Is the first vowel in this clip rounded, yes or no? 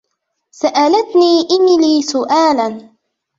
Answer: no